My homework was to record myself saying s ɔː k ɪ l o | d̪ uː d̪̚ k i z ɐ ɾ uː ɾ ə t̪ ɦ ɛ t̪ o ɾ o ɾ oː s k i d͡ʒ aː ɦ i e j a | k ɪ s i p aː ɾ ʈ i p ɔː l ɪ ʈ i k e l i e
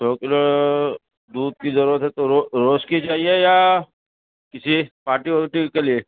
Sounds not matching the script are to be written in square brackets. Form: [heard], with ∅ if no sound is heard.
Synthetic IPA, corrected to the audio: s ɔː k ɪ l o | d̪ uː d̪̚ k i z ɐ ɾ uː ɾ ə t̪ ɦ ɛ t̪ o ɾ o ɾ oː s k i d͡ʒ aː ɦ i e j a | k ɪ s i p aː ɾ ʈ i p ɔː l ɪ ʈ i k e l i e